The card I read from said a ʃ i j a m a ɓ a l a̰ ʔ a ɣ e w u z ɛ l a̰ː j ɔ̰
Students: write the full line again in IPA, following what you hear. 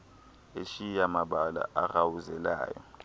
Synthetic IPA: e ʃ i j a m a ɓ a l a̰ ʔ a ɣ a w u z ɛ l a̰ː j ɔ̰